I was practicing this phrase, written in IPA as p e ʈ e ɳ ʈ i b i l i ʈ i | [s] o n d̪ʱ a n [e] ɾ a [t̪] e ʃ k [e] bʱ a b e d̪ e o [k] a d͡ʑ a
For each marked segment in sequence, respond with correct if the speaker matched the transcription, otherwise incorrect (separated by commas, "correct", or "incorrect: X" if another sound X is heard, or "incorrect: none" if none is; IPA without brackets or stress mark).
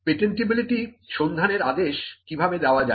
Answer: incorrect: ʃ, correct, incorrect: d̪, incorrect: i, incorrect: none